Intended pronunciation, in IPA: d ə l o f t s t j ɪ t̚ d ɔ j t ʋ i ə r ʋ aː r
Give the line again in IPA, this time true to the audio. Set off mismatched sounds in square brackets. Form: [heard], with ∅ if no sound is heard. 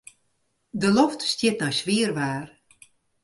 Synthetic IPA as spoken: d ə l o f t s t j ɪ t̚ [n] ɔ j [s] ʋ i ə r ʋ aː r